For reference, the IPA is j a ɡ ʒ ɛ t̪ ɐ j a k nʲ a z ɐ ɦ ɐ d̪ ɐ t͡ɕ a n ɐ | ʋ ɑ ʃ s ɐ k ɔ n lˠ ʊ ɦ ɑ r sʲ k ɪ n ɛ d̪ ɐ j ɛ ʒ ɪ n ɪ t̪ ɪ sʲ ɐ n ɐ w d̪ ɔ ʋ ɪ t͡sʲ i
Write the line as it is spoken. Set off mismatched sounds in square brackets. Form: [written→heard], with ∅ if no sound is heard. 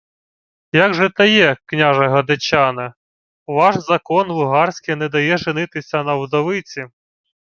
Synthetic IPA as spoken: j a ɡ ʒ ɛ t̪ ɐ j [a→ɛ] k nʲ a [z→ʒ] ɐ ɦ ɐ d̪ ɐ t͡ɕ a n ɐ | ʋ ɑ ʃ [s→z] ɐ k ɔ n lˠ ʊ ɦ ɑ r sʲ k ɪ n ɛ d̪ ɐ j ɛ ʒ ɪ n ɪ t̪ ɪ sʲ ɐ n ɐ w d̪ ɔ ʋ ɪ t͡sʲ i